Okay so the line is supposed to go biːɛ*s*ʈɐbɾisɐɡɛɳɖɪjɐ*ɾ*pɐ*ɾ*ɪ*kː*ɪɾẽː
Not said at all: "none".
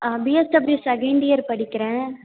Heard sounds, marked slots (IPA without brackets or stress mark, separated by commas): s, ɾ, ɽ, kː